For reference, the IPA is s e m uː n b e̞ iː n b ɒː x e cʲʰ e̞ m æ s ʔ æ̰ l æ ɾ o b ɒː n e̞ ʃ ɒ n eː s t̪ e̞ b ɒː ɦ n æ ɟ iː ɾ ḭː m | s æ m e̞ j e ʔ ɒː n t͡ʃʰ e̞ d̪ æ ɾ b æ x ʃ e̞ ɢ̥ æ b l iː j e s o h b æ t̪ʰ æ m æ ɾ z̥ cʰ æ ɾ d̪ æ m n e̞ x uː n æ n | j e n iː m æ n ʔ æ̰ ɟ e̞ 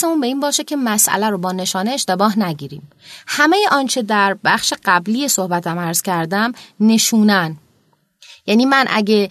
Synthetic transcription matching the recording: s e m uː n b e̞ iː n b ɒː ʃ e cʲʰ e̞ m æ s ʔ æ̰ l æ ɾ o b ɒː n e̞ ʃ ɒː n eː ʃ t̪ e̞ b ɒː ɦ n æ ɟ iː ɾ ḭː m | h æ m e̞ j e ʔ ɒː n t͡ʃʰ e̞ d̪ æ ɾ b æ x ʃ e̞ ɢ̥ æ b l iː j e s o h b æ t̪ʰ æ m æ ɾ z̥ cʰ æ ɾ d̪ æ m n e̞ ʃ uː n æ n | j æ n iː m æ n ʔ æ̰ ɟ e̞